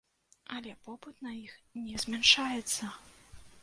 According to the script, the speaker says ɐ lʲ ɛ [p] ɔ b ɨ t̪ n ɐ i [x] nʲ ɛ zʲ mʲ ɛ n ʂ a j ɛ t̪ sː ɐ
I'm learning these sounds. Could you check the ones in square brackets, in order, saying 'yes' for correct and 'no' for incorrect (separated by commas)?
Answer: yes, yes